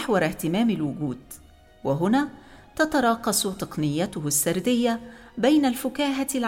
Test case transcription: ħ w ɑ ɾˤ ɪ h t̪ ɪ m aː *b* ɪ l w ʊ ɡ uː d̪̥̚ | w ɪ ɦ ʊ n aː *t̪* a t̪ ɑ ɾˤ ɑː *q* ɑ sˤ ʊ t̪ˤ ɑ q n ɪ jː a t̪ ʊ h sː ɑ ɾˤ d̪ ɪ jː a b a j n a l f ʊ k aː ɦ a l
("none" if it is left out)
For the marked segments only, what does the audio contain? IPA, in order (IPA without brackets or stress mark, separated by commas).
m, t̪, q